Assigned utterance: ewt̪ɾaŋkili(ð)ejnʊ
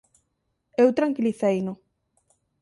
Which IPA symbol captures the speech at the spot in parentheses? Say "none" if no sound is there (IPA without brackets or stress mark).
θ